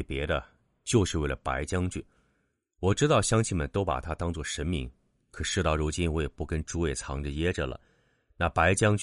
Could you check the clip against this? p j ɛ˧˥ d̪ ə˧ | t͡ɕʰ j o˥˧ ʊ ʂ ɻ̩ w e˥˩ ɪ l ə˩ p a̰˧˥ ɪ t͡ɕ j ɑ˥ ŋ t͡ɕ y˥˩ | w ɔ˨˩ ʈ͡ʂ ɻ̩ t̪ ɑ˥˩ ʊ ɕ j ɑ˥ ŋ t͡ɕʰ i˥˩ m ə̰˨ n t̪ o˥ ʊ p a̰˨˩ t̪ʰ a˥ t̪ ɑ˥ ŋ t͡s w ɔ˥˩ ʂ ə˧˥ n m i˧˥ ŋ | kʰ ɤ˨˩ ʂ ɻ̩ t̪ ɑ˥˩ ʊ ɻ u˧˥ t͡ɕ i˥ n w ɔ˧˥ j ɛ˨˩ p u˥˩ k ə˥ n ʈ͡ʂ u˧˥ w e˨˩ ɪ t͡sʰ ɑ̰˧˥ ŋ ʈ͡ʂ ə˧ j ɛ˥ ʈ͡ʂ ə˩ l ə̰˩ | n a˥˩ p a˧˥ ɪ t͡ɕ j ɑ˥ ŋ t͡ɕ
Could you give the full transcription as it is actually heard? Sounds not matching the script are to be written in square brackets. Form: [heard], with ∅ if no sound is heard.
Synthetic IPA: p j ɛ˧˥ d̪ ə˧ | [t͡ɕ] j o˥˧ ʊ ʂ ɻ̩ w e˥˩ ɪ l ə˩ p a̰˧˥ ɪ t͡ɕ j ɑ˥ ŋ t͡ɕ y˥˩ | w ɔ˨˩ ʈ͡ʂ ɻ̩ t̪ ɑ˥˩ ʊ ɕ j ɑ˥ ŋ t͡ɕʰ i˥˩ m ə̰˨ n t̪ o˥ ʊ p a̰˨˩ t̪ʰ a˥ t̪ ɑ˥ ŋ t͡s w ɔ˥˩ ʂ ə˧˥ n m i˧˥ ŋ | kʰ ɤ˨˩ ʂ ɻ̩ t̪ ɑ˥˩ ʊ ɻ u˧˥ t͡ɕ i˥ n w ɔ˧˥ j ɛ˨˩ p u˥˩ k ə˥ n ʈ͡ʂ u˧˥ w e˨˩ ɪ t͡sʰ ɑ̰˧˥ ŋ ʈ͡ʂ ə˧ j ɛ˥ ʈ͡ʂ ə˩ l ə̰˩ | n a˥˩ p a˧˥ ɪ t͡ɕ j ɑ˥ ŋ t͡ɕ